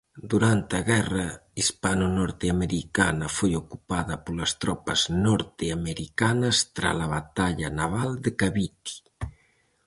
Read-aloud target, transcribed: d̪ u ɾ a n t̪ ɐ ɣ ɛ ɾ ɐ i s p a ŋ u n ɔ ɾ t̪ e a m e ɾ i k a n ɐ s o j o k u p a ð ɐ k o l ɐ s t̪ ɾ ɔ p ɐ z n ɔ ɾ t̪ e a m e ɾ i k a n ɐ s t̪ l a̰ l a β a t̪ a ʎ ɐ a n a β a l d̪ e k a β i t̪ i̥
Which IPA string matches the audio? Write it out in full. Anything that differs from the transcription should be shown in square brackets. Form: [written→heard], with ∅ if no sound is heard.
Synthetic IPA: d̪ u ɾ a n t̪ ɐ ɣ ɛ [ɾ→r] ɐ i s p a [ŋ→n] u n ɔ ɾ t̪ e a m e ɾ i k a n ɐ [s→f] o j o k u p a ð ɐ [k→p] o l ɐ s t̪ ɾ ɔ p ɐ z n ɔ ɾ t̪ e a m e ɾ i k a n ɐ s t̪ [l→ɾ] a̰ l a β a t̪ a ʎ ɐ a n a β a l d̪ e k a β i t̪ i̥